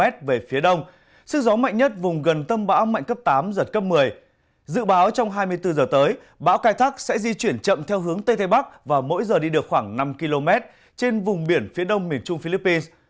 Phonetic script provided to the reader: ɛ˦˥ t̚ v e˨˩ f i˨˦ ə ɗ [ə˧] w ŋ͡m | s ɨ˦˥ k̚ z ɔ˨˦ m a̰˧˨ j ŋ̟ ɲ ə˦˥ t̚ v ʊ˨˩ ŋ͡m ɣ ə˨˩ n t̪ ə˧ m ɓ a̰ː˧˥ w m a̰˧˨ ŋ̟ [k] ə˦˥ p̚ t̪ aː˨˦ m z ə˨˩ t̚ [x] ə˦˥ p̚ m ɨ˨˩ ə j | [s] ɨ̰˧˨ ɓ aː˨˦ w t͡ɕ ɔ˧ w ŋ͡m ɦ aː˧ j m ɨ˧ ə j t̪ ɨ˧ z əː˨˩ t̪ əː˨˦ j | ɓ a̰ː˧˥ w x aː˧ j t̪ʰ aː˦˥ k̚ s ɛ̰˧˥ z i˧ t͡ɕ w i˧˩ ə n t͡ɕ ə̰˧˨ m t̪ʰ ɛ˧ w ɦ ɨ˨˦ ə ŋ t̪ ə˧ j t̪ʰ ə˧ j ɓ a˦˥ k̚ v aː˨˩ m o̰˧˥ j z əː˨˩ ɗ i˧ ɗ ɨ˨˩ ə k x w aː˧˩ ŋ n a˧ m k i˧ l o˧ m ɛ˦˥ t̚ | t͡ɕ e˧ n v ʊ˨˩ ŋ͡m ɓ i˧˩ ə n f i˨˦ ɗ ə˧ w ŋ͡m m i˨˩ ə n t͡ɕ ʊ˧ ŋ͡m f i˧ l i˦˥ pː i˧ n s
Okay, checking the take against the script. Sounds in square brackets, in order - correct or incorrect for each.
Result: correct, correct, incorrect, incorrect

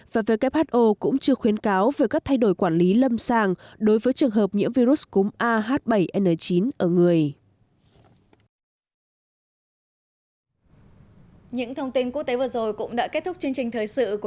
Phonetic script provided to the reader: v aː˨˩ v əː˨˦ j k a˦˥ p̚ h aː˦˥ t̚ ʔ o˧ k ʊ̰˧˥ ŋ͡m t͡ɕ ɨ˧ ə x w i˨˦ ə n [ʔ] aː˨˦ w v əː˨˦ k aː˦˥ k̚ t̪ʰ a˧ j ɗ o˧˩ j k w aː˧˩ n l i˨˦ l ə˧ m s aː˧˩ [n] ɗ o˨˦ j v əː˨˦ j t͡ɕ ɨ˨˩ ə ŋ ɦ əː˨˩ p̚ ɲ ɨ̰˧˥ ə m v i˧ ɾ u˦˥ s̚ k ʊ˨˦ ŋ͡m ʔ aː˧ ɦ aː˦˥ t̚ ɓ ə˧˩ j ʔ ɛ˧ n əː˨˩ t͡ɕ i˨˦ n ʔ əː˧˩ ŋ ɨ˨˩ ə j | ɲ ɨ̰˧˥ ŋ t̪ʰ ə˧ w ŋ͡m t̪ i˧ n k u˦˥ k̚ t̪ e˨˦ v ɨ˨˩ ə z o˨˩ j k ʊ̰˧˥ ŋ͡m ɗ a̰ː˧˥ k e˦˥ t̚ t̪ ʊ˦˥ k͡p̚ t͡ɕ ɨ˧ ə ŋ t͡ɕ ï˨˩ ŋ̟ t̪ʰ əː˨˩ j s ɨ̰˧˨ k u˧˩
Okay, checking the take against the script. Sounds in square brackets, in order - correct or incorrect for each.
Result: incorrect, incorrect

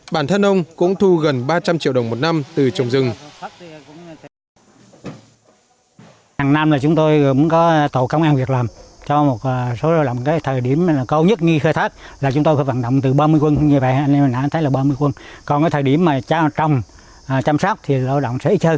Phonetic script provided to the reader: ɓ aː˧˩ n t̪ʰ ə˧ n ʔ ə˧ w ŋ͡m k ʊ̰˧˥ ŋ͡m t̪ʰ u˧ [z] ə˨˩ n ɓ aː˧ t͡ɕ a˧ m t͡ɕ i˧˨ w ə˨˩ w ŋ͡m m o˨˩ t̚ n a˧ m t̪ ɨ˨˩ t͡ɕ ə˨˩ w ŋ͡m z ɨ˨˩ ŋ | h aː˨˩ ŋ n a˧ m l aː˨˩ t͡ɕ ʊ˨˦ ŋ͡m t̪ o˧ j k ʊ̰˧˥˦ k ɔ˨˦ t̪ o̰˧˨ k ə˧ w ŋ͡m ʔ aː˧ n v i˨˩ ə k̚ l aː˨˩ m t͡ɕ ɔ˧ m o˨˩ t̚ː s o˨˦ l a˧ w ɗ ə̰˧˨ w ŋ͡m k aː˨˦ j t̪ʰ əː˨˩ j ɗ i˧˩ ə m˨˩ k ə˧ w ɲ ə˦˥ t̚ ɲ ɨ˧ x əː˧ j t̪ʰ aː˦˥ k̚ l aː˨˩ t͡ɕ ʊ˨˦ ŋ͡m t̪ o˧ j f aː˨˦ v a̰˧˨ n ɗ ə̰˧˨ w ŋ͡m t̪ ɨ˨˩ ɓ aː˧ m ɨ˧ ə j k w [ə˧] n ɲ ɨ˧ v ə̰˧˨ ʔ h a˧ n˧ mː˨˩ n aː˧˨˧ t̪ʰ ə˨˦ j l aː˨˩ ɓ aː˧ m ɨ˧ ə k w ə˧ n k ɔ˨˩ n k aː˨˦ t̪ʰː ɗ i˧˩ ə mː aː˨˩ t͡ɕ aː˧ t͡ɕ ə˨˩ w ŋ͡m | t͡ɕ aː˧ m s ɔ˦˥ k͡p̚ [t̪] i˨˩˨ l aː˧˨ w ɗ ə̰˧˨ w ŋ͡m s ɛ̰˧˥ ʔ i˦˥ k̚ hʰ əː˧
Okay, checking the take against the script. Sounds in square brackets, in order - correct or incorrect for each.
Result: incorrect, correct, incorrect

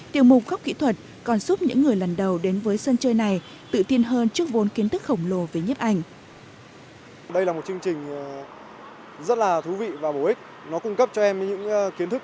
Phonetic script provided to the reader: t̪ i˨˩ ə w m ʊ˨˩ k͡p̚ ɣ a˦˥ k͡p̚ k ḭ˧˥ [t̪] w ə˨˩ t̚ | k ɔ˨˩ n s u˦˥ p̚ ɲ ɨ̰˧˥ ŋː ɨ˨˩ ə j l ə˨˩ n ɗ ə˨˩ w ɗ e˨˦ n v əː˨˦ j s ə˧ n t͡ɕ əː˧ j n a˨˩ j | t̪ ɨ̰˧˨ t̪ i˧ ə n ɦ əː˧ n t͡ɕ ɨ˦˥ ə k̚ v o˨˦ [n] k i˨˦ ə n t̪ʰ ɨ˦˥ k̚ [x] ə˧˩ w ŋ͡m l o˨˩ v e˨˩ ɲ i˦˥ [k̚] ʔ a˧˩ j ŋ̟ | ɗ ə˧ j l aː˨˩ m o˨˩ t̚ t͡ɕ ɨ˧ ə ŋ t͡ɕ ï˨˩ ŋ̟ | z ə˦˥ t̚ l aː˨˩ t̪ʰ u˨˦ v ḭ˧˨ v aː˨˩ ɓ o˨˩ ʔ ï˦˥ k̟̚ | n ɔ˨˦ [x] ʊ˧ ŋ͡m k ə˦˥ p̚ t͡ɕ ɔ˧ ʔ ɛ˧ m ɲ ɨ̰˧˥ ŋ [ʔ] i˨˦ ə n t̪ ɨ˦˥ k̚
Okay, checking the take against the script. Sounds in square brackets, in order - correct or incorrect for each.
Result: incorrect, correct, correct, incorrect, incorrect, incorrect

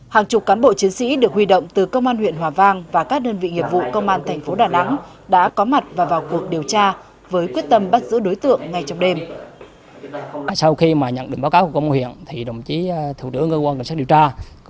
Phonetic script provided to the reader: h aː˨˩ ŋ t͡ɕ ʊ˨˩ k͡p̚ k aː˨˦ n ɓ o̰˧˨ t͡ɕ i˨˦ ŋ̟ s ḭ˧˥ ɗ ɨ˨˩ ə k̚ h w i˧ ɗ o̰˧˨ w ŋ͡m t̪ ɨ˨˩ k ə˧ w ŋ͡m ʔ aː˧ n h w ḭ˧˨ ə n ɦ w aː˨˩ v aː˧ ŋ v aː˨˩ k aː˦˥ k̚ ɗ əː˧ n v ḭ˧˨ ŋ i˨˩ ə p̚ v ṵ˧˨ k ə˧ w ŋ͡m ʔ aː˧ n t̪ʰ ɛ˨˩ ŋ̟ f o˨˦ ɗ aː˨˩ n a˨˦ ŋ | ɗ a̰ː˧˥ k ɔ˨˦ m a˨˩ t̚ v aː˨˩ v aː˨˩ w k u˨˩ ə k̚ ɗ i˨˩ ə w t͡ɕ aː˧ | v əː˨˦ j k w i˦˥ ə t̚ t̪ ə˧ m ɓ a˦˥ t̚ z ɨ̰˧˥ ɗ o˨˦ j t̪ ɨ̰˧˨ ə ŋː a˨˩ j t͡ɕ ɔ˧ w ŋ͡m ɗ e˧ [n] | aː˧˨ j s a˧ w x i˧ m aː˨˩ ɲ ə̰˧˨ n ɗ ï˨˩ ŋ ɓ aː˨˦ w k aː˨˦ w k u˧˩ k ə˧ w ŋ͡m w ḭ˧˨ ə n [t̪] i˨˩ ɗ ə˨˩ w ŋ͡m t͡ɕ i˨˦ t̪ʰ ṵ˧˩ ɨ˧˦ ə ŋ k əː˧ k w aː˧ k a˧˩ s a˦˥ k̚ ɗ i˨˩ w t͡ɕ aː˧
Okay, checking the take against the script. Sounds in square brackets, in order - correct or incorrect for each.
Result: incorrect, incorrect

